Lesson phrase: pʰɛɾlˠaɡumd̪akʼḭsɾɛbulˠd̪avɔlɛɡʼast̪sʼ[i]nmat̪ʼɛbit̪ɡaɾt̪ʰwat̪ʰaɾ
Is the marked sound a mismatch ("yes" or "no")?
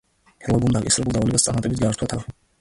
yes